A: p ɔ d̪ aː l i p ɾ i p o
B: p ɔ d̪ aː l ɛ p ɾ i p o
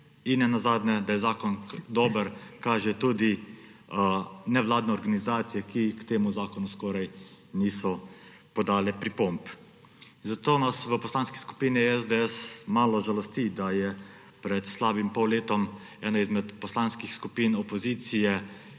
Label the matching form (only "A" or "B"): B